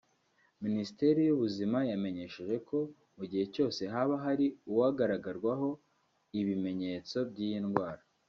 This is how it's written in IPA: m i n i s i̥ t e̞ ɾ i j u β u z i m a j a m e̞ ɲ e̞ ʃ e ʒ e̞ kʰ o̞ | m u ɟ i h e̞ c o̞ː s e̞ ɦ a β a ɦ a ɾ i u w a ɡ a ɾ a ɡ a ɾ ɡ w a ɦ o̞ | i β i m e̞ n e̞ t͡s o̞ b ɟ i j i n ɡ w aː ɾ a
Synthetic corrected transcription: m i n i s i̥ t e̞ ɾ i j u β u z i m a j a m e̞ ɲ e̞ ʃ e ʒ e̞ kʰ o̞ | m u ɟ i h e̞ c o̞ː s e̞ ɦ a β a ɦ a ɾ i u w a ɡ a ɾ a ɡ a ɾ ɡ w a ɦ o̞ | i β i m e̞ ɲ e̞ t͡s o̞ b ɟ i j i n ɡ w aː ɾ a